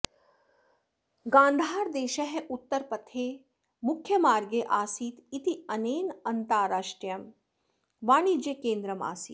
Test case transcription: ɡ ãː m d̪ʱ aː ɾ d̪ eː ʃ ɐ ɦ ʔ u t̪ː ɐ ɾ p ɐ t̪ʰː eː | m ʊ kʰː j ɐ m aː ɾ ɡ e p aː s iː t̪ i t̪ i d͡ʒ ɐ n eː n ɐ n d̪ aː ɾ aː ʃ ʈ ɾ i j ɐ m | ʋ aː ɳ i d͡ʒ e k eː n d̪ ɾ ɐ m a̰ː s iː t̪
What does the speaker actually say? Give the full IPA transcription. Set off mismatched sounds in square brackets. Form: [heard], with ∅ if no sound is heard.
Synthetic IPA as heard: ɡ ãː [n] d̪ʱ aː ɾ d̪ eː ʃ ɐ ɦ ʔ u t̪ː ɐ ɾ p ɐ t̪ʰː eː | m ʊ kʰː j ɐ m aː ɾ ɡ e [ʔ] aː s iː t̪ i t̪ i [∅] ɐ n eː n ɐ n [t̪] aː ɾ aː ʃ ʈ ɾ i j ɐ m | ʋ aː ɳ i d͡ʒ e k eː n d̪ ɾ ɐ m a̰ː s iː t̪